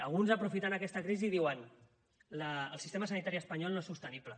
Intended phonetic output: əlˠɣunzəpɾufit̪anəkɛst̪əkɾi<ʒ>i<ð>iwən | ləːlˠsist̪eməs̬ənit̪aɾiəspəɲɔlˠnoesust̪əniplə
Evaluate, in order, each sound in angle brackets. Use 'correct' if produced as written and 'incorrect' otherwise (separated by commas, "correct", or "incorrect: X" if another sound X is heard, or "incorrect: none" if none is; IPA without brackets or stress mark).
incorrect: z, correct